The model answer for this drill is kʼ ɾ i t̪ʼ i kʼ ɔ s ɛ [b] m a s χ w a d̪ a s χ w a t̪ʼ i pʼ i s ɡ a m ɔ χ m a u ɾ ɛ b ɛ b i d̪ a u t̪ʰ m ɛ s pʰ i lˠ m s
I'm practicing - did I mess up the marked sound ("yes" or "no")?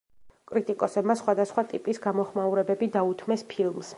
no